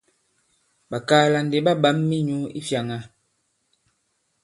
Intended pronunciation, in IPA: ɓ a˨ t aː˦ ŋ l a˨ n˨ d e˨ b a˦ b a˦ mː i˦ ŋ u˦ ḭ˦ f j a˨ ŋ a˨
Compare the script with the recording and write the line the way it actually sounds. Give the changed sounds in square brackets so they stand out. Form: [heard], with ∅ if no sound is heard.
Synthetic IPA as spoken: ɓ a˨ [k] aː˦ [∅] l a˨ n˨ d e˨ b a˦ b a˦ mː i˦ [ɲ] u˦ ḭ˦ f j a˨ ŋ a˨